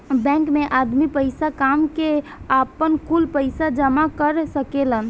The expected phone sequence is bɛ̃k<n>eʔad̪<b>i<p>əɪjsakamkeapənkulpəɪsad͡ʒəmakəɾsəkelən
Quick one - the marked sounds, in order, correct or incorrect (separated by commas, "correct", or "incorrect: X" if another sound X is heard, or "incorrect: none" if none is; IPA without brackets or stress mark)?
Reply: incorrect: m, incorrect: m, correct